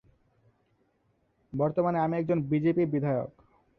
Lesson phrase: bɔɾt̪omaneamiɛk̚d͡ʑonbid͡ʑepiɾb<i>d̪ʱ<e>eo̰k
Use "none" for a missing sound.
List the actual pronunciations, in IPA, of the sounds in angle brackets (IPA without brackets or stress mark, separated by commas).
i, a